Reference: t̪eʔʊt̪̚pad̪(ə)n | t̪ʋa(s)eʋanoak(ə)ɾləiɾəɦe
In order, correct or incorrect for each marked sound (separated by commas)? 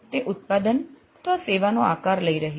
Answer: correct, correct, incorrect